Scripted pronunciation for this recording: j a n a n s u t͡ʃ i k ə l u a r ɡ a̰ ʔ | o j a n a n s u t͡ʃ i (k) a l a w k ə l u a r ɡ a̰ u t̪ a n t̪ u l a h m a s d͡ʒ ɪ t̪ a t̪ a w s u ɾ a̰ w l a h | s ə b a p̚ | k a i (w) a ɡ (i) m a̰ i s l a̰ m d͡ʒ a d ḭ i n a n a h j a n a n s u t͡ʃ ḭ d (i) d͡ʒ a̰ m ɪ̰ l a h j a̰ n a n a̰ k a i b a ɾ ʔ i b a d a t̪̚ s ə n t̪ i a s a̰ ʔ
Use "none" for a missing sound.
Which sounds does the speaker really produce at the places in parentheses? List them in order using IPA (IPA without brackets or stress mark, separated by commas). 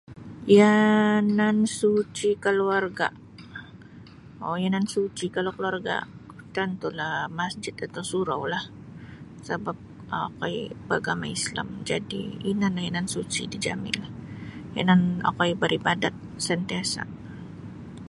k, b, a, i